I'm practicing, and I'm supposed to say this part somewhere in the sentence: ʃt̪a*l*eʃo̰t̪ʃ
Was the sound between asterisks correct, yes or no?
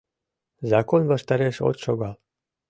no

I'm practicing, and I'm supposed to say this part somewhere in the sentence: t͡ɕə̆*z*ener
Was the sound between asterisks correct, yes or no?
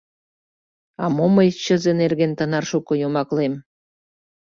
yes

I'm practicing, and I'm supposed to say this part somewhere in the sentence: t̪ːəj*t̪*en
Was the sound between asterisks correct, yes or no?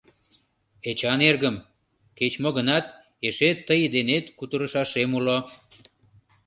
no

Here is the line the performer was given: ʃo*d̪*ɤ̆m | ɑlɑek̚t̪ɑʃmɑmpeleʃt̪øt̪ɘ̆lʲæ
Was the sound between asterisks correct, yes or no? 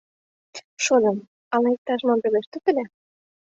yes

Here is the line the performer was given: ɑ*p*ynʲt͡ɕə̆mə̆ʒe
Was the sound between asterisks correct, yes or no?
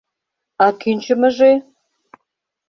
no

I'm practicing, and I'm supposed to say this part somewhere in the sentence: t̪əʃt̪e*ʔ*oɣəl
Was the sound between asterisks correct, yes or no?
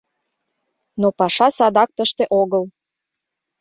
yes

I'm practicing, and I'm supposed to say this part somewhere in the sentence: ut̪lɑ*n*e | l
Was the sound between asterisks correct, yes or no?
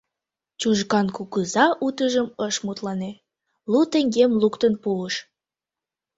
yes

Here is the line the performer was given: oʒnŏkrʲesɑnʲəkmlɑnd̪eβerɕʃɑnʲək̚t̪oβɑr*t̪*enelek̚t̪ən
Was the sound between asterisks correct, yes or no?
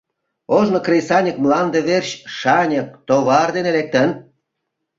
no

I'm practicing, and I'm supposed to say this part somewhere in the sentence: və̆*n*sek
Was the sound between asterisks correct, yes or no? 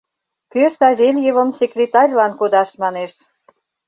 no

